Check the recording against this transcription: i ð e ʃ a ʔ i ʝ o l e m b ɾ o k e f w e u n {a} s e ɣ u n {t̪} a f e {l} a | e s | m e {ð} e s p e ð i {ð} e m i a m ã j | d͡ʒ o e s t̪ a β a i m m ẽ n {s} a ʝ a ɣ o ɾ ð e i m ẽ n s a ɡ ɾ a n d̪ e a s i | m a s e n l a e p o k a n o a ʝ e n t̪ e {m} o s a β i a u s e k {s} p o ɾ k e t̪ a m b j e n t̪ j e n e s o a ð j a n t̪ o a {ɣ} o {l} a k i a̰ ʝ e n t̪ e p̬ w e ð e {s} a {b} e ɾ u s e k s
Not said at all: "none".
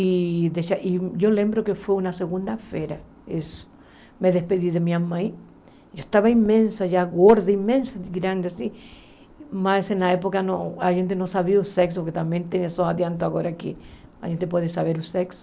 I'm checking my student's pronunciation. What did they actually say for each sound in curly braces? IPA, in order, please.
a, d̪, ɾ, ð, ð, s, n, s, ɣ, ɾ, s, β

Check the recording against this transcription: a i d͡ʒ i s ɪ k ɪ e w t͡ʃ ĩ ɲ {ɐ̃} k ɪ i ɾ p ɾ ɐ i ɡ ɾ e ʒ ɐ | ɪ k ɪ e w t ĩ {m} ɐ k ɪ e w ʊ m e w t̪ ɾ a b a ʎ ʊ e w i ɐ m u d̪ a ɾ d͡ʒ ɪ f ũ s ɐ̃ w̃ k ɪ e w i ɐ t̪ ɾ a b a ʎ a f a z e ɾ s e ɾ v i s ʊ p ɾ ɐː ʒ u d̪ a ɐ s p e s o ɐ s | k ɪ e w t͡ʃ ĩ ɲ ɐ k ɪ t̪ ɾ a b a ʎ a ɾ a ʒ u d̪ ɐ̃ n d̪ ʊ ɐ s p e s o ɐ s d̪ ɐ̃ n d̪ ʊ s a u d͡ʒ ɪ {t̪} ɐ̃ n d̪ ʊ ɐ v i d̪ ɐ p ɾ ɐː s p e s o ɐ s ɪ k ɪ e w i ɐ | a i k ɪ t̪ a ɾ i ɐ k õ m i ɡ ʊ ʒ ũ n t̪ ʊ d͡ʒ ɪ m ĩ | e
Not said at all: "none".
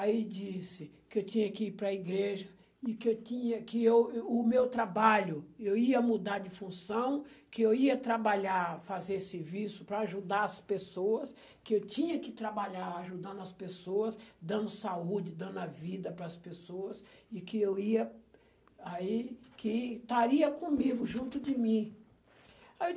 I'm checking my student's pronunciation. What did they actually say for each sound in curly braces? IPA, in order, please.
ɐ, ɲ, d̪

